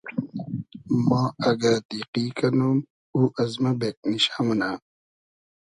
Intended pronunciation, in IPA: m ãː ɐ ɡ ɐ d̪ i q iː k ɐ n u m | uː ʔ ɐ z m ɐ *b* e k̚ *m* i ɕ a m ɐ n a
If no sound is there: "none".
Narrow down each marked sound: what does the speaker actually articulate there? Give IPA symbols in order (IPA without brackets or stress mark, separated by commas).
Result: b, n